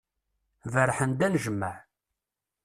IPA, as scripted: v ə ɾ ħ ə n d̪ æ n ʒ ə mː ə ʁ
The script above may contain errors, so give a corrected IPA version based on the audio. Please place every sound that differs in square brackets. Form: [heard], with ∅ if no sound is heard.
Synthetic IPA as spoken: v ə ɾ ħ ə n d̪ æ n ʒ ə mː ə [ʕ]